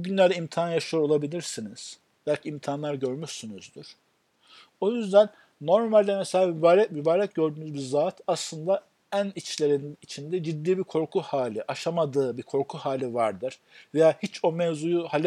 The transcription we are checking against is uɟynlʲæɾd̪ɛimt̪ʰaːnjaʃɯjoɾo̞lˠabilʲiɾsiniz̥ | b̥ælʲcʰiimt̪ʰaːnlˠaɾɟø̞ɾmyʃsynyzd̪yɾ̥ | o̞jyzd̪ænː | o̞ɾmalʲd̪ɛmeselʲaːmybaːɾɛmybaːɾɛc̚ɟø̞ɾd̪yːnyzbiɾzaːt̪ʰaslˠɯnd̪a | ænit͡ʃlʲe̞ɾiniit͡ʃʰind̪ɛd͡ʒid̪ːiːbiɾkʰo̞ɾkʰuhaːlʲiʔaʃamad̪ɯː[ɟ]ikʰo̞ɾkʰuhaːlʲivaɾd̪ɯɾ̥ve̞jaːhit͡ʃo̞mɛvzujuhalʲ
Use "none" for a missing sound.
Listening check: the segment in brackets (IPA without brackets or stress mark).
b